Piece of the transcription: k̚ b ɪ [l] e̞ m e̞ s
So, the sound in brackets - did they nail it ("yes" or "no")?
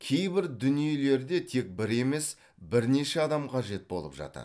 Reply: no